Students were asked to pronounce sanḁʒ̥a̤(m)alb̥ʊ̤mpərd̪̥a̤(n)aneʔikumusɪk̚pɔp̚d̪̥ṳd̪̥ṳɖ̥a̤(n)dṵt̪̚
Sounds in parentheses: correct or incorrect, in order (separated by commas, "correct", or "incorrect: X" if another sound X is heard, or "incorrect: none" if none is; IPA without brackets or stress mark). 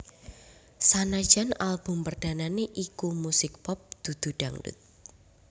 incorrect: n, correct, incorrect: ŋ